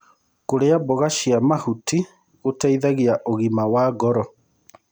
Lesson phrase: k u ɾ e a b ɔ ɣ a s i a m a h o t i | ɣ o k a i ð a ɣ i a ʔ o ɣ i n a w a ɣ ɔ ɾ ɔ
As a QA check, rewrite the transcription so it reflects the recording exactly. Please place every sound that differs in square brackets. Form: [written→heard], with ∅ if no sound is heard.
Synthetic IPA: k [u→o] ɾ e a b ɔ ɣ a [s→ʃ] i a m a h [o→u] t i | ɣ o [k→t] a i ð a ɣ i a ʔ o ɣ i [n→m] a w a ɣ ɔ ɾ ɔ